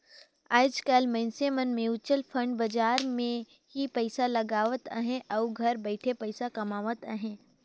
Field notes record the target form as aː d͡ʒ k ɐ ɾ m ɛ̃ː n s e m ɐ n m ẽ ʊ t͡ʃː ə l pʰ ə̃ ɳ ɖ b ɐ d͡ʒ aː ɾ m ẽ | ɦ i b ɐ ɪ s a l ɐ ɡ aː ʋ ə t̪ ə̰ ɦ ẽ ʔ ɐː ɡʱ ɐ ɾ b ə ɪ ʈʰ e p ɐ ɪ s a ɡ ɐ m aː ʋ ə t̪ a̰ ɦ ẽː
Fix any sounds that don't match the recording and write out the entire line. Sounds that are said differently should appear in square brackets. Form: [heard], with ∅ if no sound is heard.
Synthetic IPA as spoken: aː d͡ʒ k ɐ [l] m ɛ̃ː n s e m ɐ n m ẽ ʊ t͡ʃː ə l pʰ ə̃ ɳ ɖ b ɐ d͡ʒ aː ɾ m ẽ | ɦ i [p] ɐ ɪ s a l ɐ ɡ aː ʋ ə t̪ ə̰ ɦ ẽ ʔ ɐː ɡʱ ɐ ɾ b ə ɪ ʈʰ e p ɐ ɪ s a [k] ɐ m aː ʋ ə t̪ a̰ ɦ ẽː